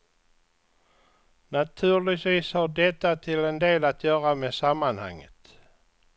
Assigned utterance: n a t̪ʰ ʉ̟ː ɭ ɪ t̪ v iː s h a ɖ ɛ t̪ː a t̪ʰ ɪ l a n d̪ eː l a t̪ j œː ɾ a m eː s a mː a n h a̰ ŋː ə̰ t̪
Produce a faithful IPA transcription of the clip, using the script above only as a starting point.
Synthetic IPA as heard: n a t̪ʰ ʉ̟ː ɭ ɪ t̪ v iː s h a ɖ ɛ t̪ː a t̪ʰ ɪ l ɛ n d̪ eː l a t̪ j œː ɾ a m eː s a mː a n h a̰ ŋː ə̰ t̪